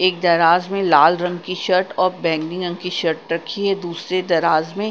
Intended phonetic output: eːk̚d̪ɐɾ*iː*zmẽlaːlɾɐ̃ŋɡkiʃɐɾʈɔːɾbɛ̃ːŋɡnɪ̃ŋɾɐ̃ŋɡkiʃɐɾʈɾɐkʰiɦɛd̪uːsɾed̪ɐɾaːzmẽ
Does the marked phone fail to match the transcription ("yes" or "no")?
yes